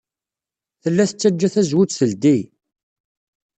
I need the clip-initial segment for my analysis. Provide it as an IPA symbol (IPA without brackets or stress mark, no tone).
θ